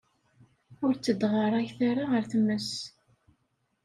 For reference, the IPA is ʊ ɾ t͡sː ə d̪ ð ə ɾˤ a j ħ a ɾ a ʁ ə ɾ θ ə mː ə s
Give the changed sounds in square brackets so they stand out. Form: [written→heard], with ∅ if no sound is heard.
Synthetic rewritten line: ʊ ɾ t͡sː ə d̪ [ð→ʁ] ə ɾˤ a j [ħ→θ] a ɾ a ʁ ə ɾ θ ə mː ə s